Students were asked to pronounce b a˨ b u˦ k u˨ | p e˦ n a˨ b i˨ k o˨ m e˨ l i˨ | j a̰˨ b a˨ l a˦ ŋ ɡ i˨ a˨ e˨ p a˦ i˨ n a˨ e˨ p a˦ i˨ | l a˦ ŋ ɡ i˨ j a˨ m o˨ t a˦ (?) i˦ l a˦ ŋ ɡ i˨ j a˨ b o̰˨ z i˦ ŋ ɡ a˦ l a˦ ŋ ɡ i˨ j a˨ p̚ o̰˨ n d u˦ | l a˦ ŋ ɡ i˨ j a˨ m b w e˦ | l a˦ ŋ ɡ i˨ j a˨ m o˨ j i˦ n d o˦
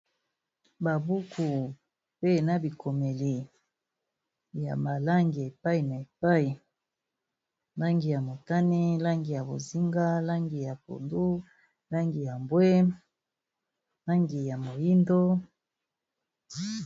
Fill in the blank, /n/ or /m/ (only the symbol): n